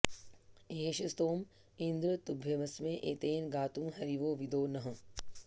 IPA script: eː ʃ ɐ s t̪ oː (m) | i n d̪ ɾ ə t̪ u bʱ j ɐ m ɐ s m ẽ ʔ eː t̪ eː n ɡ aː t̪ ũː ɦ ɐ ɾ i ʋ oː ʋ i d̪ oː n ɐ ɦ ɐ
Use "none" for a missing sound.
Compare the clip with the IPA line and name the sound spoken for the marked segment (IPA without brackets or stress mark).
m